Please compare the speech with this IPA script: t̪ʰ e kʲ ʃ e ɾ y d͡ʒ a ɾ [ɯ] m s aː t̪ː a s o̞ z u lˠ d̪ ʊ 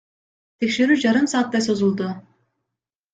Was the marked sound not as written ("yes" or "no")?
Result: no